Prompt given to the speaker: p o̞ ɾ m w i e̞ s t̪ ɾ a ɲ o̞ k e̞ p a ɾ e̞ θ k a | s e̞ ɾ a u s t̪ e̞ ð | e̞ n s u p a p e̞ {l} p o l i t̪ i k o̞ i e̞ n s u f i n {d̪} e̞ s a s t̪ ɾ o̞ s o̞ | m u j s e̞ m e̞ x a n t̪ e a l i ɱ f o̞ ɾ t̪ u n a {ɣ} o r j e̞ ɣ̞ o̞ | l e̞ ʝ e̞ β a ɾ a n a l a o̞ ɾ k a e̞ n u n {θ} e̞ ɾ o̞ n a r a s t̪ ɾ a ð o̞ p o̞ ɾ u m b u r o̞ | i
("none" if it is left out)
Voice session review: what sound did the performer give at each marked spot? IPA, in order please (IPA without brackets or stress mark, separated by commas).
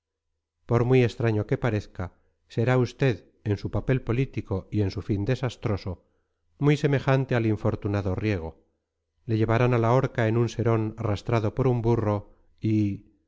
l, d̪, ð, s